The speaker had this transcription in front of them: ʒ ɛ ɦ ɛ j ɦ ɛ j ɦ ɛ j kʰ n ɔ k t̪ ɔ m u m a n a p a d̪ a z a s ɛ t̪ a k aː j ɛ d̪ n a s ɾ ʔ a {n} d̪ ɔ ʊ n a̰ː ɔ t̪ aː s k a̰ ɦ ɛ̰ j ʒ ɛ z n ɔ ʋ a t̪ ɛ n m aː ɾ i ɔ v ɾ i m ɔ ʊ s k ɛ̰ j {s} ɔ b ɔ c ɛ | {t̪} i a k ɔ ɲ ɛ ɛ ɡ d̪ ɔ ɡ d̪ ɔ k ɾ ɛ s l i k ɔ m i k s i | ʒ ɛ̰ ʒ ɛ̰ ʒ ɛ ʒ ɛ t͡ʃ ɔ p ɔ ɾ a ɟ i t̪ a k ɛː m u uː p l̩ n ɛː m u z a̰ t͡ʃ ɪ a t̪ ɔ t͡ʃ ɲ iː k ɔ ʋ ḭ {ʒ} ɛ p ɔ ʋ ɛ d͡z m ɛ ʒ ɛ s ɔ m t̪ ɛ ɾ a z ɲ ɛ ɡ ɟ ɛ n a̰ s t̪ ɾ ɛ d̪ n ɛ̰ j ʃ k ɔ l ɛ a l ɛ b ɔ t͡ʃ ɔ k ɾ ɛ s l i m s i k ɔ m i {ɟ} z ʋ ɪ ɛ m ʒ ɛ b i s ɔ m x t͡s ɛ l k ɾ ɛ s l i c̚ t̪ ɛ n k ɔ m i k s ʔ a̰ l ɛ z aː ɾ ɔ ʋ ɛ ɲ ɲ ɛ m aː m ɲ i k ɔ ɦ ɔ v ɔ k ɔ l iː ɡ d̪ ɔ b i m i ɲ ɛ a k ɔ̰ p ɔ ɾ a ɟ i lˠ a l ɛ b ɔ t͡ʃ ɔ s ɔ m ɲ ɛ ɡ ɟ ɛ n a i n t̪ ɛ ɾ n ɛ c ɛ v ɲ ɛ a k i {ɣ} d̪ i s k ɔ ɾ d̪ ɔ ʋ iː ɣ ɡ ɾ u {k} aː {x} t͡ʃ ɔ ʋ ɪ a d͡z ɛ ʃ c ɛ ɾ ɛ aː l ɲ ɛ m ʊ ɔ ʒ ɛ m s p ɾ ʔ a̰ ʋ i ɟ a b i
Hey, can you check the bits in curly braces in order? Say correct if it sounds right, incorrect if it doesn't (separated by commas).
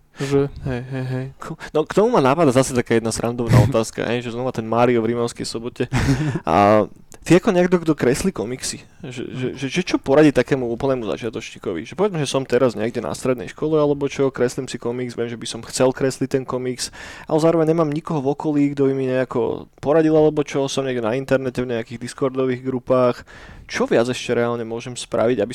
correct, correct, correct, correct, incorrect, correct, incorrect, correct